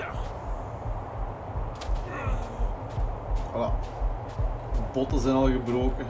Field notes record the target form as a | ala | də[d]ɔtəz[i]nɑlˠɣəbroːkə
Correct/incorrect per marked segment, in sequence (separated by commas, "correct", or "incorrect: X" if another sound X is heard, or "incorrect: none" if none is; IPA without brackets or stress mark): incorrect: b, incorrect: ɛ